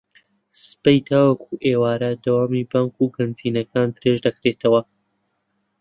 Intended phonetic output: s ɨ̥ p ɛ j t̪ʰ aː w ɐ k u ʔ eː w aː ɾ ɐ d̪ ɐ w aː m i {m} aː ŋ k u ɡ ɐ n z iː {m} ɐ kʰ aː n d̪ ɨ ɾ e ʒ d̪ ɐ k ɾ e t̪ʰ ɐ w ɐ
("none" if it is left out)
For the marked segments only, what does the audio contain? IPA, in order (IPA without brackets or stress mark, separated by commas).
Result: b, n